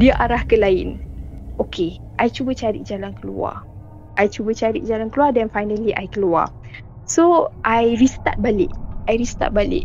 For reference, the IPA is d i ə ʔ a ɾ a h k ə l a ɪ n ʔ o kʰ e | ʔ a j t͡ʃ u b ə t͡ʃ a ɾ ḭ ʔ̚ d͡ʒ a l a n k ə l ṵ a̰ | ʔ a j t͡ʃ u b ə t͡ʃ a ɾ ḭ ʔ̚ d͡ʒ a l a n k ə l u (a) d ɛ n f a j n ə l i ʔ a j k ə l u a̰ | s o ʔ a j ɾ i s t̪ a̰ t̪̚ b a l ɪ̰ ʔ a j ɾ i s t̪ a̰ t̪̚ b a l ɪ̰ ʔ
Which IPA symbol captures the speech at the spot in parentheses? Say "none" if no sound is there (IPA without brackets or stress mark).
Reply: a